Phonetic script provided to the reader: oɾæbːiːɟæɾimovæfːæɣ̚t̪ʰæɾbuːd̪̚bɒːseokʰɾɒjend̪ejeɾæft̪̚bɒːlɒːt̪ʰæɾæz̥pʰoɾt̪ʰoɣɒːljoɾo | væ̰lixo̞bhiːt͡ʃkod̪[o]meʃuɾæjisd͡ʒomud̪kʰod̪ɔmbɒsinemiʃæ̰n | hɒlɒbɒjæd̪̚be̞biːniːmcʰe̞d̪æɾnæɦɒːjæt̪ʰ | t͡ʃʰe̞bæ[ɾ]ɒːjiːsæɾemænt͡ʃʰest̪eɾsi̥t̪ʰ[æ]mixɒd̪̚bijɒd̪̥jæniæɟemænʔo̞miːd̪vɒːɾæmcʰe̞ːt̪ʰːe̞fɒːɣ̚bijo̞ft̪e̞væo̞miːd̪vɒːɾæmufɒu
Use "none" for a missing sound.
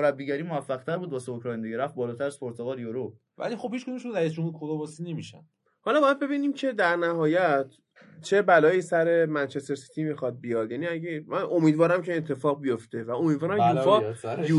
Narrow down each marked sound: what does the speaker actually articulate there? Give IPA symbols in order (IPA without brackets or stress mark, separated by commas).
u, l, i